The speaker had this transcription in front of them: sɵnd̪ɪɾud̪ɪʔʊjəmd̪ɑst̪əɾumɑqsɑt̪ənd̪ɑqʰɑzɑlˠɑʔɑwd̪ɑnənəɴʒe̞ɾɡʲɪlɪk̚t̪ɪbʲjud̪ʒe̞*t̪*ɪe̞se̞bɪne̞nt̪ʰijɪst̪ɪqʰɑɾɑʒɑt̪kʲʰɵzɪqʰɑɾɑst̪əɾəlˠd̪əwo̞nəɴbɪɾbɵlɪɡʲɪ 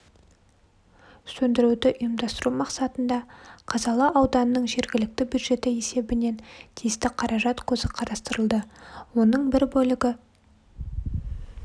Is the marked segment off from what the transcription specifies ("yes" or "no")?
no